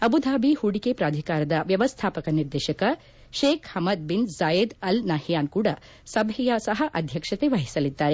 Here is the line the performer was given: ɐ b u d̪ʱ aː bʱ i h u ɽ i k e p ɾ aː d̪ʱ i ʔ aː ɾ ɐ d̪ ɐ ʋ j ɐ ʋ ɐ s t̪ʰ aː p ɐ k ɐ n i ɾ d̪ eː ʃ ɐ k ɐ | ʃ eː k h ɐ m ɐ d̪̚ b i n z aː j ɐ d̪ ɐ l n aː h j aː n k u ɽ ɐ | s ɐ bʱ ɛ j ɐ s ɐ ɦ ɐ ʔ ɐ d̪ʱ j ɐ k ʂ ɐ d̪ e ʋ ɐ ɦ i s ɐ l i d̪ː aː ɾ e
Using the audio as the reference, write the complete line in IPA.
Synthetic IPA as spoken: ɐ b u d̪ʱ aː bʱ i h u ɽ i k e p ɾ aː d̪ʱ i k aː ɾ ɐ d̪ ɐ ʋ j ɐ ʋ ɐ s t̪ʰ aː p ɐ k ɐ n i ɾ d̪ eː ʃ ɐ k ɐ | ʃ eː k h ɐ m ɐ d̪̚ b i n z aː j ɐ d̪ ɐ l n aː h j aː n k uː ɽ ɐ | s ɐ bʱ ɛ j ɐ s ɐ ɦ ɐ ʔ ɐ d̪ʱ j ɐ k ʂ ɐ t̪ e ʋ ɐ ɦ i s ɐ l i d̪ː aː ɾ e